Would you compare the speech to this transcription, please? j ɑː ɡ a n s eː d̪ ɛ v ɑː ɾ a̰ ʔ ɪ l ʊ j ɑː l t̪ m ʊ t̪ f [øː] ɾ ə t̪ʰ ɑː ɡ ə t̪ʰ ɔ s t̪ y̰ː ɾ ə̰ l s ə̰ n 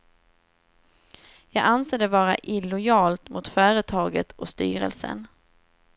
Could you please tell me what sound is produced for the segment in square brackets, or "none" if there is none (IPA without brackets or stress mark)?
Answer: œː